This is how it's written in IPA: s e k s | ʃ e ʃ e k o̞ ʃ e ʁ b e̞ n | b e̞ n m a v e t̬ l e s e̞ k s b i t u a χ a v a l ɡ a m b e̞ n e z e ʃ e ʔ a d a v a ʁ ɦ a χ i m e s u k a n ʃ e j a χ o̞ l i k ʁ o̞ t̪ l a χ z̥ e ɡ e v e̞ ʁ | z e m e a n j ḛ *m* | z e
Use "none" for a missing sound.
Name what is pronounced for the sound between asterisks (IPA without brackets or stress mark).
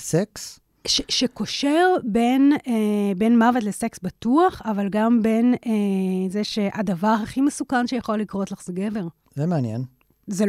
n